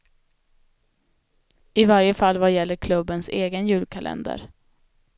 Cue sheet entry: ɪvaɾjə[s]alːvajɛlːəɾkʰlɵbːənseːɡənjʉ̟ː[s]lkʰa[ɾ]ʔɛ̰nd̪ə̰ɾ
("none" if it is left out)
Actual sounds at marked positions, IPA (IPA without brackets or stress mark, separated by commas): f, none, l